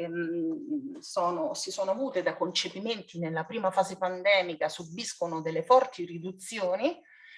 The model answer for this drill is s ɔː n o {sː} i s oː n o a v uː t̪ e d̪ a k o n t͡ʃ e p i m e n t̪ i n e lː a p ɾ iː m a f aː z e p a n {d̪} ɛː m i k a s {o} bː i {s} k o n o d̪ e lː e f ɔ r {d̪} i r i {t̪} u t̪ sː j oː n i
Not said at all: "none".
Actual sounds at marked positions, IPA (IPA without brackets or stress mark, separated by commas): s, d̪, u, s, t̪, d̪